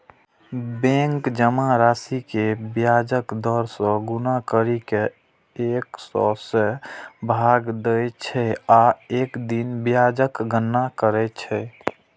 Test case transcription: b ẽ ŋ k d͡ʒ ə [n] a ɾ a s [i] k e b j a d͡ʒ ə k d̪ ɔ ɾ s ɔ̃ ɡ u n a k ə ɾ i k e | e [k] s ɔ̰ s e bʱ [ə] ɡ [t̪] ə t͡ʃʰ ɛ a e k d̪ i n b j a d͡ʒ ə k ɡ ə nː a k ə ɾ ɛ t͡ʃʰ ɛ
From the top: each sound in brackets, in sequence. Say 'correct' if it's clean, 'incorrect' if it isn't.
incorrect: m, correct, correct, incorrect: a, incorrect: d̪

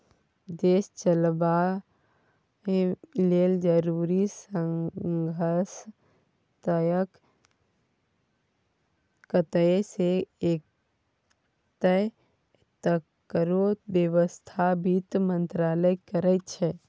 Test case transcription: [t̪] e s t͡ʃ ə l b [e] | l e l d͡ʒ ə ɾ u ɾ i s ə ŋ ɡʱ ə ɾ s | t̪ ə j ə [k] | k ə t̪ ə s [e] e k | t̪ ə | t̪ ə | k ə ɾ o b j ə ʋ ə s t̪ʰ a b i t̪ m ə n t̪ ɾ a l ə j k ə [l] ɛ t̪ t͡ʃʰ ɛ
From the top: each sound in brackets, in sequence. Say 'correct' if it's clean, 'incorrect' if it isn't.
incorrect: d̪, incorrect: a, correct, correct, incorrect: ɾ

